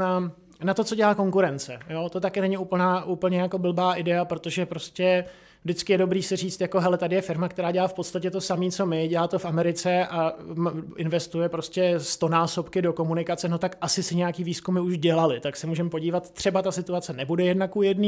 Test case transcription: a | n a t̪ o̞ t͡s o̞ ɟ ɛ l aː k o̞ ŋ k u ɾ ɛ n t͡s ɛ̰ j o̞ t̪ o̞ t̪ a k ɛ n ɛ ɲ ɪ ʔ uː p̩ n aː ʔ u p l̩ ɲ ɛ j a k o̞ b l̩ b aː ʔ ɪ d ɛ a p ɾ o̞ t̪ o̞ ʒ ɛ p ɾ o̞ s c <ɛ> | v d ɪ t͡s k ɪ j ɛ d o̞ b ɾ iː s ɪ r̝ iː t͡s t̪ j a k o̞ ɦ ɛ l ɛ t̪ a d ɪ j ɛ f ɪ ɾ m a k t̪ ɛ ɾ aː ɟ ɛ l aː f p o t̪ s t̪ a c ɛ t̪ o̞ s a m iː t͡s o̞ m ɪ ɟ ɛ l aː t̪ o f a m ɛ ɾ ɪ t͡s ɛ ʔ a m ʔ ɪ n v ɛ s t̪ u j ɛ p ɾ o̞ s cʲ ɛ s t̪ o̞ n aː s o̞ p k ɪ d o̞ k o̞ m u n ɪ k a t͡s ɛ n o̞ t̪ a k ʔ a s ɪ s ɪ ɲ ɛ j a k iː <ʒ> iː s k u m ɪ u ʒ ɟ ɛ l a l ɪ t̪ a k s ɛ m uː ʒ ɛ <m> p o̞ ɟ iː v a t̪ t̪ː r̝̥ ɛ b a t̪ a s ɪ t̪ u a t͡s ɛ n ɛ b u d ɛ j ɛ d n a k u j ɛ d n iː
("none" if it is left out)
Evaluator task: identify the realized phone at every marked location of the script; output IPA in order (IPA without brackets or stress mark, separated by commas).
ɛ, v, m